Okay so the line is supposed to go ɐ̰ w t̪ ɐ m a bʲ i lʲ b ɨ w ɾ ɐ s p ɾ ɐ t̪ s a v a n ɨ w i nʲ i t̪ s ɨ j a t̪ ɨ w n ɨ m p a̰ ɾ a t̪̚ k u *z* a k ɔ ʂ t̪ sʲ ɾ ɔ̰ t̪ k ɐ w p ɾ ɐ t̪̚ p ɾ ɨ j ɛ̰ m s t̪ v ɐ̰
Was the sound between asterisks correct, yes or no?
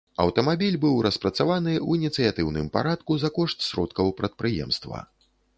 yes